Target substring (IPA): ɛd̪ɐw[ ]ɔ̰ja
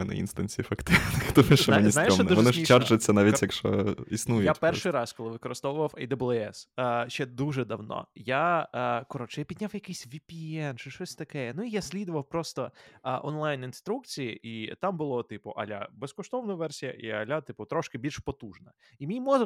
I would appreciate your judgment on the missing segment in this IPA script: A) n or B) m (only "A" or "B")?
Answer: A